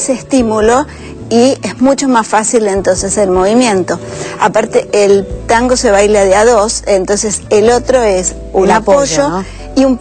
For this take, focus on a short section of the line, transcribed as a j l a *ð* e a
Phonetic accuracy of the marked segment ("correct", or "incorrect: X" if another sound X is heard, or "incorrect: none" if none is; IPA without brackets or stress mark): correct